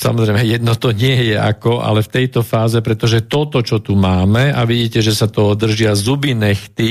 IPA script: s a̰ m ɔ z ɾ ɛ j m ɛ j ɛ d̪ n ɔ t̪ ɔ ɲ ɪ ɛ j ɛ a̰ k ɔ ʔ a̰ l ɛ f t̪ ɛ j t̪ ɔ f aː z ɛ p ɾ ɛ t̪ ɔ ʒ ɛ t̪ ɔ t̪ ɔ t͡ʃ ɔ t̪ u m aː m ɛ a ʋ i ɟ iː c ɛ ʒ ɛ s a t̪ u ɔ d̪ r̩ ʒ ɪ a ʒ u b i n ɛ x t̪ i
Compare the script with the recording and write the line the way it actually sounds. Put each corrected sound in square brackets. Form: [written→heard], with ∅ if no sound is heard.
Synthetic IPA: s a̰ m ɔ z ɾ ɛ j m ɛ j ɛ d̪ n ɔ t̪ ɔ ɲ ɪ ɛ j ɛ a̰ k ɔ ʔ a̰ l ɛ f t̪ ɛ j t̪ ɔ f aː z ɛ p ɾ ɛ t̪ ɔ ʒ ɛ t̪ ɔ t̪ ɔ t͡ʃ ɔ t̪ u m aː m ɛ a ʋ i ɟ iː c ɛ ʒ ɛ s a t̪ [u→ɔ] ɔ d̪ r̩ ʒ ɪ a [ʒ→z] u b i n ɛ x t̪ i